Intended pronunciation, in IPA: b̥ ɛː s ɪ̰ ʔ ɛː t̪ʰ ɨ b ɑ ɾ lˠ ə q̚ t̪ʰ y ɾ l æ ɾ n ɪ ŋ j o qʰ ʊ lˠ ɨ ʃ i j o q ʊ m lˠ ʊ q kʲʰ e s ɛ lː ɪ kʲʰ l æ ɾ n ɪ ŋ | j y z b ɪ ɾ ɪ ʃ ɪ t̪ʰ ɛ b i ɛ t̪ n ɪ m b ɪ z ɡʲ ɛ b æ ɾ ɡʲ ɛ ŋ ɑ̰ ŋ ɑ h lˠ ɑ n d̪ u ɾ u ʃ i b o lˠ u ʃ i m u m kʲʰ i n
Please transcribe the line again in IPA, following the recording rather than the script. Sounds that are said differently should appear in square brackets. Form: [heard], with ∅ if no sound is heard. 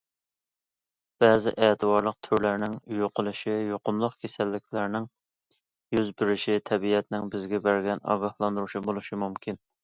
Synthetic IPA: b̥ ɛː [z] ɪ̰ ʔ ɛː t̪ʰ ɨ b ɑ ɾ lˠ ə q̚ t̪ʰ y ɾ l æ ɾ n ɪ ŋ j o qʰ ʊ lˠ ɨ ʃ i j o q ʊ m lˠ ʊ q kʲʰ e s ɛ lː ɪ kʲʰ l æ ɾ n ɪ ŋ | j y z b ɪ ɾ ɪ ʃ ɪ t̪ʰ ɛ b i ɛ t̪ n ɪ [ŋ] b ɪ z ɡʲ ɛ b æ ɾ ɡʲ ɛ [n] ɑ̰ [ɡ] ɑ h lˠ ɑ n d̪ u ɾ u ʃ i b o lˠ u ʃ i m u m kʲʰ i n